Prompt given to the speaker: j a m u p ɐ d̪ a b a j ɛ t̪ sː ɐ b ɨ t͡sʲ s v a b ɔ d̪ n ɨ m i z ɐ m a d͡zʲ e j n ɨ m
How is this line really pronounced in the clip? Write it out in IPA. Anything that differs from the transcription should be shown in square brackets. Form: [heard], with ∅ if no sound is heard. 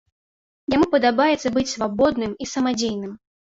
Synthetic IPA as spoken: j a m u p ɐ d̪ a b a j ɛ t̪ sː ɐ b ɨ t͡sʲ s v a b ɔ d̪ n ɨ m i [s] ɐ m a d͡zʲ e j n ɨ m